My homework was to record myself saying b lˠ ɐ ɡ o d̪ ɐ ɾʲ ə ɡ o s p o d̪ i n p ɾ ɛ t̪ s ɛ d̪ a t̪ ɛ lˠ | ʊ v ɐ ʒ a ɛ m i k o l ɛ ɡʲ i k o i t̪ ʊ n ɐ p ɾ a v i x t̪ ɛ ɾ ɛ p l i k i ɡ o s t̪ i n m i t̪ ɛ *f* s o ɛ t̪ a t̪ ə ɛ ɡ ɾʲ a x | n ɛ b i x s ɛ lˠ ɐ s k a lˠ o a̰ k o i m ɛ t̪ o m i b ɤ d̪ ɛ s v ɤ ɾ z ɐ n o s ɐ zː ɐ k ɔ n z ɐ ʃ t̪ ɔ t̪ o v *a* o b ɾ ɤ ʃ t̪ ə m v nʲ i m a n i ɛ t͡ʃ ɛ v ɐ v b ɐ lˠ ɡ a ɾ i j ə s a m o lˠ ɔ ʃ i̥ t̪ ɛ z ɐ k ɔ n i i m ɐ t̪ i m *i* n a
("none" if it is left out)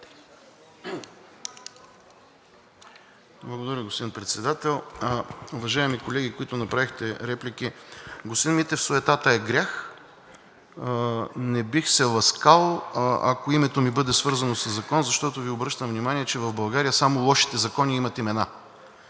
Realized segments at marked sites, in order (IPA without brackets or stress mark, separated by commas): f, i, ɛ